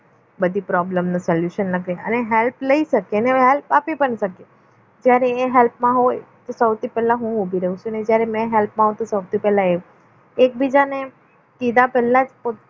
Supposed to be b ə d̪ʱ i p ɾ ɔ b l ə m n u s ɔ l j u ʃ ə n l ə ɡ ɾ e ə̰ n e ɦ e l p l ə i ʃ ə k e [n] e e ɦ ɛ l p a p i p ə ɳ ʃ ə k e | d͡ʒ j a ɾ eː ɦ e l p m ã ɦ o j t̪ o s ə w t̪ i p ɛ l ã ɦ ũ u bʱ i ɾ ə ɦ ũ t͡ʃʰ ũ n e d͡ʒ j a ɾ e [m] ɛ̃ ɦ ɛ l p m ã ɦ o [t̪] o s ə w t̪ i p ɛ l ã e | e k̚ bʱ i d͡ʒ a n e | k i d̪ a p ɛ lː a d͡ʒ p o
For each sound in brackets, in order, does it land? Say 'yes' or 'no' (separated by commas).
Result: yes, yes, yes